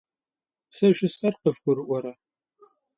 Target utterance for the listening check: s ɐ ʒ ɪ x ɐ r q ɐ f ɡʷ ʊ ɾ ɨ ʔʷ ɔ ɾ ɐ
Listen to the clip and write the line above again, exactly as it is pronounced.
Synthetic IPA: s ɐ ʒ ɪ s ɐ r q ə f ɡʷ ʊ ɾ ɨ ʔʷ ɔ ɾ ɐ